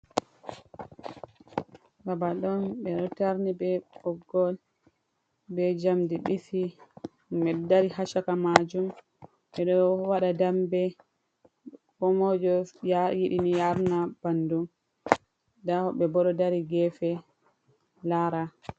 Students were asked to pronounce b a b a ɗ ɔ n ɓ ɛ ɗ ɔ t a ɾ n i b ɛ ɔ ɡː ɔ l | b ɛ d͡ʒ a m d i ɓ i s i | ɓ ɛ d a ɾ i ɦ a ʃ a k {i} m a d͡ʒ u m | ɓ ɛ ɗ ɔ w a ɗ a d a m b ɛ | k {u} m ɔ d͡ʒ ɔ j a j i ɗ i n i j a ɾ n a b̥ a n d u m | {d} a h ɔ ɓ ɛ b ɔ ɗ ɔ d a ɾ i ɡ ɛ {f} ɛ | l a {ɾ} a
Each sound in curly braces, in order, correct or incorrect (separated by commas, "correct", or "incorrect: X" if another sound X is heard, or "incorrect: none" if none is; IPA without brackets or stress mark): incorrect: a, incorrect: ɔ, correct, correct, correct